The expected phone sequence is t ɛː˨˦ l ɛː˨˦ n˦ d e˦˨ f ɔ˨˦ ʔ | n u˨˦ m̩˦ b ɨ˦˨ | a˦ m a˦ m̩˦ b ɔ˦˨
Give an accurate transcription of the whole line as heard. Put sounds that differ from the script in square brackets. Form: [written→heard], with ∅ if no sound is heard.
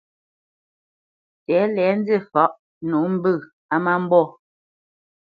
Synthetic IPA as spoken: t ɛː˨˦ l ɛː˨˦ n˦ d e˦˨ f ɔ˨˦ ʔ | n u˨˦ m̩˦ b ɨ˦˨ | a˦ m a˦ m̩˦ b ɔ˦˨